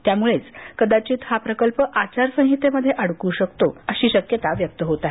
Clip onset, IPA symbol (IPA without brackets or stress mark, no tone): t̪